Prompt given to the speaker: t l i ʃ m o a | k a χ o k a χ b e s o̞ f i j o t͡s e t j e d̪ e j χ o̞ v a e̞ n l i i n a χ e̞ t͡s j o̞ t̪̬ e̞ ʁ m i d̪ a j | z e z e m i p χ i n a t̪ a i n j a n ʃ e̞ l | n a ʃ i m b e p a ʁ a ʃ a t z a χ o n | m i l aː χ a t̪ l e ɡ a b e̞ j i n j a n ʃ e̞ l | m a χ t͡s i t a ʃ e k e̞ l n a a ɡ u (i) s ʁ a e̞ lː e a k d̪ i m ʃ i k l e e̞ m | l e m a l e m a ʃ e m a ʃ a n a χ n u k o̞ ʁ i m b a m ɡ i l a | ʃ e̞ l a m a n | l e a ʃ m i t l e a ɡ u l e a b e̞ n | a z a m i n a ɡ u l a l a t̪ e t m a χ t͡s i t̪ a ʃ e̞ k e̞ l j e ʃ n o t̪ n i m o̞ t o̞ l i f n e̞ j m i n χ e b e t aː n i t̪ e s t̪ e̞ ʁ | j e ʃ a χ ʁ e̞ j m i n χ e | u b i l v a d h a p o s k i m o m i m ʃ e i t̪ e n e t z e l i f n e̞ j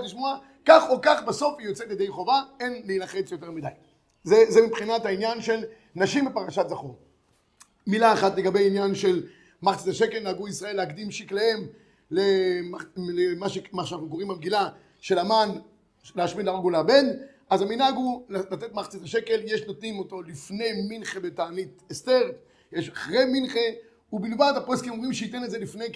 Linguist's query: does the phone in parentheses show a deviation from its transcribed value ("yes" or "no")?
no